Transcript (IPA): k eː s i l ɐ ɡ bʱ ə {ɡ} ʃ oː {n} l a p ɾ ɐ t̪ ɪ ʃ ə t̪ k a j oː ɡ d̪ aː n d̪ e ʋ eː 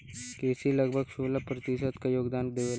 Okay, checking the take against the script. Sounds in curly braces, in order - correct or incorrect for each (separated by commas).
correct, incorrect